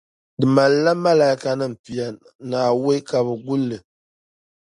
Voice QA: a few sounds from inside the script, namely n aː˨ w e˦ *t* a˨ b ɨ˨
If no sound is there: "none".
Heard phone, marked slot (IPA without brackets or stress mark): k